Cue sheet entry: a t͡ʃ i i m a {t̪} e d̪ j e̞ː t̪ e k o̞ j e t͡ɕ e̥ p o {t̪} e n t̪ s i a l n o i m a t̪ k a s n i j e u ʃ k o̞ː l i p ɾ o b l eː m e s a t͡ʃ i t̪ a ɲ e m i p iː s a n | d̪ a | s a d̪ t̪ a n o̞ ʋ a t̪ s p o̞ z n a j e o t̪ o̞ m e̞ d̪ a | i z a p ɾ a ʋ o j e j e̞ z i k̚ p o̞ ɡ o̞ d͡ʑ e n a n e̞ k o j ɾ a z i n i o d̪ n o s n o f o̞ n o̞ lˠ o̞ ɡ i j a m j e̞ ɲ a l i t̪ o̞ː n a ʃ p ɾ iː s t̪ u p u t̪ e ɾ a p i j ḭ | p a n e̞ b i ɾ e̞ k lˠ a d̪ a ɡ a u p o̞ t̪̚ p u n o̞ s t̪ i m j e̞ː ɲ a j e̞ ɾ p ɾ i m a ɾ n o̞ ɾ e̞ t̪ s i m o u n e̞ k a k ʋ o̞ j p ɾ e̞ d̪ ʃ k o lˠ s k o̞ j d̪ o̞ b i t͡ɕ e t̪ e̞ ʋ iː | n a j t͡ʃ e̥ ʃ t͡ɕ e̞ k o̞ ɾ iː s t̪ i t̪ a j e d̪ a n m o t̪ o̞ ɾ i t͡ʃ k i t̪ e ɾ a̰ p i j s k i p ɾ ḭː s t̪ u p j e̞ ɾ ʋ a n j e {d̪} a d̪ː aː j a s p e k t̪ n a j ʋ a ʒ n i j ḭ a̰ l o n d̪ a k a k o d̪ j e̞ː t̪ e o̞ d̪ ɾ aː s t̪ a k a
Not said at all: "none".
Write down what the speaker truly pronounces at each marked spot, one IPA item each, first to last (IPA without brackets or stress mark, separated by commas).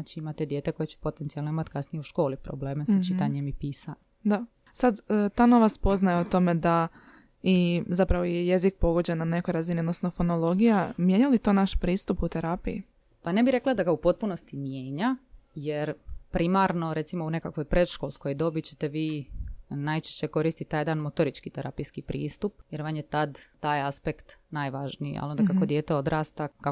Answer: t̪, t̪, t̪